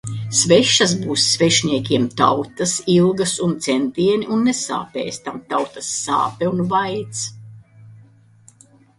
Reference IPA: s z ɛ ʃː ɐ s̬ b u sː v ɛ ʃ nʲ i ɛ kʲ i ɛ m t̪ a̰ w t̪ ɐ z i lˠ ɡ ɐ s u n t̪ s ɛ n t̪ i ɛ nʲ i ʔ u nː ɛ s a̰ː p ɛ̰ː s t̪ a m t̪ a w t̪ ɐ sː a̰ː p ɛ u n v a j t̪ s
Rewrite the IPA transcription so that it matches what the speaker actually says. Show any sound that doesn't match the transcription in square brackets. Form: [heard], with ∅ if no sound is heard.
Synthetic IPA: s [v] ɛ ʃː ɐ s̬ b [uː] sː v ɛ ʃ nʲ i ɛ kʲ i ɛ m t̪ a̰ w t̪ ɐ [s] i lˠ ɡ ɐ s u n t̪ s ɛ n t̪ i ɛ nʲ i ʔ u nː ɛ s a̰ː p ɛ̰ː s t̪ a m t̪ a w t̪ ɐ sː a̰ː p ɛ u n v a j t̪ s